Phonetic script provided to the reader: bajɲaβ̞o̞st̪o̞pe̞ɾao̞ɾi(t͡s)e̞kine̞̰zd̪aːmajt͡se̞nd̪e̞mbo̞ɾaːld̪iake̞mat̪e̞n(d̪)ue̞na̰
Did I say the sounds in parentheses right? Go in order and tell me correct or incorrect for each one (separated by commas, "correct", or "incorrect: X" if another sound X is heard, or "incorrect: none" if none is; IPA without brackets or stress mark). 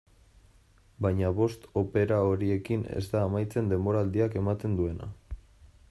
incorrect: none, correct